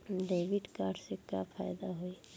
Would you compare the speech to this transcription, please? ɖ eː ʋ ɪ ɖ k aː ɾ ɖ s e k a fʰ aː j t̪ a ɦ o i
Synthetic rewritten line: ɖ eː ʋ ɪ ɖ k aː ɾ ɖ s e k a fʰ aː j d̪ a ɦ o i